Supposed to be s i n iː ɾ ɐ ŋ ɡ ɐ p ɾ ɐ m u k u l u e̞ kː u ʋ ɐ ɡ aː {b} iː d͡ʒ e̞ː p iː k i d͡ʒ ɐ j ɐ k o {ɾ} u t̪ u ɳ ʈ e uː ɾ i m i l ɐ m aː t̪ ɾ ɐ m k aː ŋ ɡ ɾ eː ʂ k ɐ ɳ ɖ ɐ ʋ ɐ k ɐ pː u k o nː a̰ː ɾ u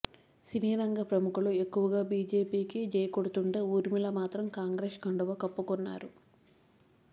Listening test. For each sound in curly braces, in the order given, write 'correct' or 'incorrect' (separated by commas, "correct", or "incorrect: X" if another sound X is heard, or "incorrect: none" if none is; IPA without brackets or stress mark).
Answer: correct, incorrect: ɽ